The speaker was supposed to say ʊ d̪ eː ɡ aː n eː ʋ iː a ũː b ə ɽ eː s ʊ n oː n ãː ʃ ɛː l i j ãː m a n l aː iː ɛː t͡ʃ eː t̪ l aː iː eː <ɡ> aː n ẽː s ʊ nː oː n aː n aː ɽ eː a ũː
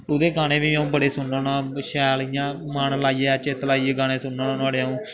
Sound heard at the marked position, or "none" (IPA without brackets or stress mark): ɡ